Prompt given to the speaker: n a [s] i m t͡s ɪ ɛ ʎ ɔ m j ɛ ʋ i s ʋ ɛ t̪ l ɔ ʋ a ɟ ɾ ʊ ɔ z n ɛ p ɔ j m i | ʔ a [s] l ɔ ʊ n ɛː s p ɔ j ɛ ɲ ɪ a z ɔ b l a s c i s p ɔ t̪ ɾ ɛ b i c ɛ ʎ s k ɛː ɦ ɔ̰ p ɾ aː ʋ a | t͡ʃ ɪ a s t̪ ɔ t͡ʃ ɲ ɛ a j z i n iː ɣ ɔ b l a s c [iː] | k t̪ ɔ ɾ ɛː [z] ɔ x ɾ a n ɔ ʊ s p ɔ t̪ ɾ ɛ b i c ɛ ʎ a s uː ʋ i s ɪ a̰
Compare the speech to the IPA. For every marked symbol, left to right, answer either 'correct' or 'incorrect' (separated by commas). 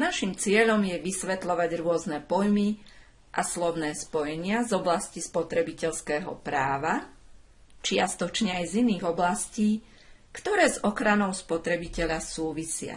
incorrect, correct, correct, correct